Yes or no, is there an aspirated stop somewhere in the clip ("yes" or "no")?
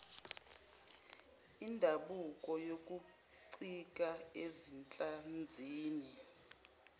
no